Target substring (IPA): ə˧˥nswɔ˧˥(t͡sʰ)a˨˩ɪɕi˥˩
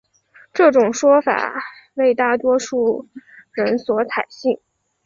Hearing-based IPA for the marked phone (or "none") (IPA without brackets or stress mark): t͡sʰ